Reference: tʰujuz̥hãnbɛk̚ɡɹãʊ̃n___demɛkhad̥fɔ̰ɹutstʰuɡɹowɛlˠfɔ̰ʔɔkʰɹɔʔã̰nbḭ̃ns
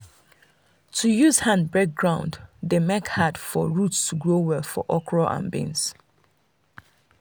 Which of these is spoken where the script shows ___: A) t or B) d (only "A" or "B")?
B